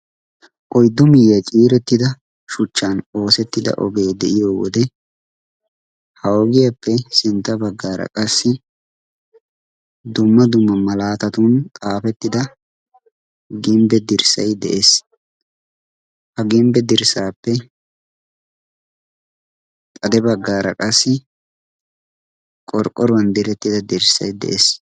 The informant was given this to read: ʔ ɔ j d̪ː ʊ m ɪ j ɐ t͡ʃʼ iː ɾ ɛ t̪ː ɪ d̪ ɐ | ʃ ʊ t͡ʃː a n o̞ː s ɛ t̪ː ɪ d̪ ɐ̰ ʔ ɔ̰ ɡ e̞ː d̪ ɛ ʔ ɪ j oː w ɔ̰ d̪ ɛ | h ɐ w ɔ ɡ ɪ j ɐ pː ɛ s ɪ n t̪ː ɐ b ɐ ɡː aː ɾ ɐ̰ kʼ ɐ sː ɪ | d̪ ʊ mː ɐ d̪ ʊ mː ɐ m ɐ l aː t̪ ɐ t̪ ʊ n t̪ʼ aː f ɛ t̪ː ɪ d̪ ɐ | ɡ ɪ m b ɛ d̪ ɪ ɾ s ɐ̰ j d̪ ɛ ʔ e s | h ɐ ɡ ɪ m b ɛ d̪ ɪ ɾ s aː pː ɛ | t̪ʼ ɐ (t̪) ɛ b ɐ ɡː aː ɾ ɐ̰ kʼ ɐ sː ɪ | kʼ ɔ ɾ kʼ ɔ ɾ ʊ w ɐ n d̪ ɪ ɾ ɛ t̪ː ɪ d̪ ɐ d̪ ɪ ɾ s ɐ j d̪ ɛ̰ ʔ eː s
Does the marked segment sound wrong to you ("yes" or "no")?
yes